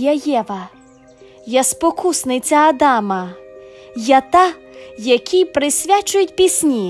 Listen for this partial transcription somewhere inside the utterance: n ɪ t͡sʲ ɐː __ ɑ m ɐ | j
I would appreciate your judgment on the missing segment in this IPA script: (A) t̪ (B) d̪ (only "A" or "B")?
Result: B